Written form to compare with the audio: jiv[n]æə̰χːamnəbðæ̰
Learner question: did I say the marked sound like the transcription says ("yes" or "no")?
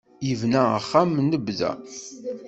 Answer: yes